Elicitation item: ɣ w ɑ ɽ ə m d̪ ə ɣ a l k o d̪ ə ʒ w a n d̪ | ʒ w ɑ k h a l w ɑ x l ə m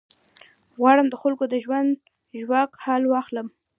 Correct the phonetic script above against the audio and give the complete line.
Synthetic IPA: ɣ w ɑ ɽ ə m d̪ ə x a l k o d̪ ə ʒ w a n d̪ | ʒ w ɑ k h a l w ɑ x l ə m